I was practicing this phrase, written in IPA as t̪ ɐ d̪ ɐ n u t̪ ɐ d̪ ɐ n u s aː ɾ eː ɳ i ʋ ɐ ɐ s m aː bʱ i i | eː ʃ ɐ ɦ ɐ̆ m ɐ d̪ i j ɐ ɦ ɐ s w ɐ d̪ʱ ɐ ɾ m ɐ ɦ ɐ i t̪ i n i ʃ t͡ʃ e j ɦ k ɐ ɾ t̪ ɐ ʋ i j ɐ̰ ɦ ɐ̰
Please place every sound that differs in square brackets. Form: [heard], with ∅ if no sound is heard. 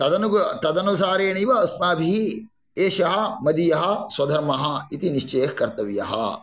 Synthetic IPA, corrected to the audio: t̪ ɐ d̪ ɐ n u t̪ ɐ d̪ ɐ n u s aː ɾ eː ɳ i ʋ ɐ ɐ s m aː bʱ i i | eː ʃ ɐ ɦ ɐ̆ m ɐ d̪ i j ɐ ɦ ɐ s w ɐ d̪ʱ ɐ ɾ m ɐ ɦ ɐ i t̪ i n i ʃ t͡ʃ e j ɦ k ɐ ɾ t̪ ɐ ʋ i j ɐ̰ ɦ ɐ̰